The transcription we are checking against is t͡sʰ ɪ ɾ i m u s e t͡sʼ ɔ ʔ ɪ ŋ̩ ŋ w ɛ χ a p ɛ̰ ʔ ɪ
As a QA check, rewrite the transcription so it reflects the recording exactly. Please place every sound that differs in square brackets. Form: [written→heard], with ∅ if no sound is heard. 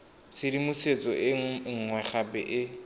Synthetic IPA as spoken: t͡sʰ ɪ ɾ i m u s e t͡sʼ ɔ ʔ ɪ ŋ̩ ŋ w ɛ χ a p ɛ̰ ʔ ɪ

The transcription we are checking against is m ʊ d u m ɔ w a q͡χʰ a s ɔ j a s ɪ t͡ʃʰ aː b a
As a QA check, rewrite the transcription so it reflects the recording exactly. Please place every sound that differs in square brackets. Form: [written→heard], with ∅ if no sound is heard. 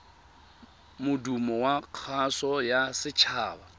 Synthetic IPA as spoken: m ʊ d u m ɔ w a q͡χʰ a s ɔ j a s ɪ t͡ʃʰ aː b a

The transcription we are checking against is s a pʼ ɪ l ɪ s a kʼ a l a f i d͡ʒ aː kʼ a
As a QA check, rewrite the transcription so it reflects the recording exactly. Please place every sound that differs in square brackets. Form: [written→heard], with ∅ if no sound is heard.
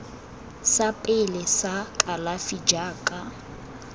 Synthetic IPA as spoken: s a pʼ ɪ l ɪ s a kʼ a l a f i d͡ʒ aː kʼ a

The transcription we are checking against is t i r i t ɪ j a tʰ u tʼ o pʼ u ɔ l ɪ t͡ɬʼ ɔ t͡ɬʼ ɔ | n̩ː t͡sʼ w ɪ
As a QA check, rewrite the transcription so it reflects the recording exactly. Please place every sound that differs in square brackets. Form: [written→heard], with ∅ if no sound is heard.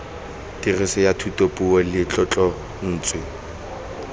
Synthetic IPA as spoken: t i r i [t→s] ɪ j a tʰ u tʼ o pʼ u ɔ l ɪ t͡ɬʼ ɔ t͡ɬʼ ɔ | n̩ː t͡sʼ w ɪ

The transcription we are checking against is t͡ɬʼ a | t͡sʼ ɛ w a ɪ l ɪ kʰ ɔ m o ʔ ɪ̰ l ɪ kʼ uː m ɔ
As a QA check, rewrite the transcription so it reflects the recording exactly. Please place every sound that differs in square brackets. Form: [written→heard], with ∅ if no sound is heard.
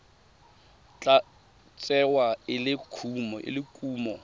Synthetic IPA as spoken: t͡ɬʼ a | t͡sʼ ɛ w a ɪ l ɪ kʰ [ɔ→u] m [o→ɔ] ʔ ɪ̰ l ɪ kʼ uː m ɔ

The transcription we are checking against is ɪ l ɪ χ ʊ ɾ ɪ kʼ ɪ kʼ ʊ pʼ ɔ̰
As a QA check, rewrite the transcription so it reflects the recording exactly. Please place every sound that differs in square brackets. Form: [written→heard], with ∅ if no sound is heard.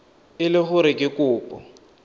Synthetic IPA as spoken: ɪ l ɪ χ ʊ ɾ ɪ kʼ ɪ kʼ [ʊ→ʊː] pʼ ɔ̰

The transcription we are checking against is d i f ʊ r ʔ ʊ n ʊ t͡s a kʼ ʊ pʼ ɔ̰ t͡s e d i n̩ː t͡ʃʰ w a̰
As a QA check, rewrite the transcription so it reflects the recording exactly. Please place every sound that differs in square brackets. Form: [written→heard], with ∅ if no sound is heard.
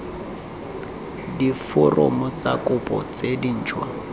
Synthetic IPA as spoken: d i f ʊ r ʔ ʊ [n→m] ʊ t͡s a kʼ ʊ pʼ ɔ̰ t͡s e d i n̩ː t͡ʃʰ w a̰

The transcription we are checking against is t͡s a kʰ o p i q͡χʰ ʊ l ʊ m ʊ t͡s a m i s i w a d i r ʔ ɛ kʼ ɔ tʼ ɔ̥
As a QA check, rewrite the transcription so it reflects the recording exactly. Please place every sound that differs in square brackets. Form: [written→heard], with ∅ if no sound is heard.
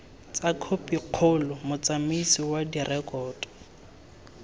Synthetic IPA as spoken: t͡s a kʰ o p i q͡χʰ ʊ l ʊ m ʊ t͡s a m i s i w a d i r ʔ ɛ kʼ [ɔ→ɔː] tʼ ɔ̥

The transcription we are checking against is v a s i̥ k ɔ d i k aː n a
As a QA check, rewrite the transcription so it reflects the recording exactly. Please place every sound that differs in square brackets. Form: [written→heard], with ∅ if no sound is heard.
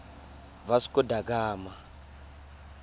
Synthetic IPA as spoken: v a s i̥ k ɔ d [i→a] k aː [n→m] a

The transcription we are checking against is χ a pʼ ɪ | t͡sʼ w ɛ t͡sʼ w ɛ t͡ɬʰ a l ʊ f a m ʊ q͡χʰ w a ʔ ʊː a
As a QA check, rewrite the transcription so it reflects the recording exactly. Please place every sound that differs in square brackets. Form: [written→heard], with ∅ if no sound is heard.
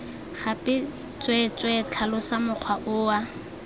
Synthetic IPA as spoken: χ a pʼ ɪ | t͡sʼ w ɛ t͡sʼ w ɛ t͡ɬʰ a l ʊ [f→s] a m ʊ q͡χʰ w a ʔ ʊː a

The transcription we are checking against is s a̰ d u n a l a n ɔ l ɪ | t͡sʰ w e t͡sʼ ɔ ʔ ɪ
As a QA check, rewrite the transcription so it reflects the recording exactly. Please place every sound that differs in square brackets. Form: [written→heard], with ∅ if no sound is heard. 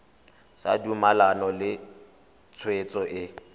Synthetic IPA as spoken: s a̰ d u [n→m] a l a n ɔ l ɪ | t͡sʰ w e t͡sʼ ɔ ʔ ɪ

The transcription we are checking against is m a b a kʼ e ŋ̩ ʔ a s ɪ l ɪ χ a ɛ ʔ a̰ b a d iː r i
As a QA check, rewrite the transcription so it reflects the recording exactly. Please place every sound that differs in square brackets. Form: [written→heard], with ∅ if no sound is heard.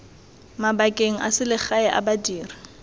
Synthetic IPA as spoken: m a b a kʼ e ŋ̩ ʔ a s ɪ l ɪ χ a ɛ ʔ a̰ b a d iː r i

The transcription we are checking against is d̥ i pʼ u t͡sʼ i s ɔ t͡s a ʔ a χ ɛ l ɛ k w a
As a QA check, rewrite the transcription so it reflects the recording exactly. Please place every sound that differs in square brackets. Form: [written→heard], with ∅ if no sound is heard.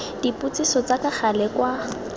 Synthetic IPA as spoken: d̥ i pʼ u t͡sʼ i s ɔ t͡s a [ʔ→k] a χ [ɛ→a] l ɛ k w a

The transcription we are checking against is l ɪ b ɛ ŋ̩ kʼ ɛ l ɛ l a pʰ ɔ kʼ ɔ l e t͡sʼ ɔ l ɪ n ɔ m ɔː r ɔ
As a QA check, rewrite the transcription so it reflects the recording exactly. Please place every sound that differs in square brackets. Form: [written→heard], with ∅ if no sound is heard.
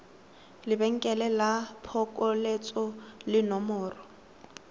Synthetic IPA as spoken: l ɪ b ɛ ŋ̩ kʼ ɛ l ɛ l a pʰ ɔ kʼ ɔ l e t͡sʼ ɔ l ɪ n ɔ m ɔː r ɔ

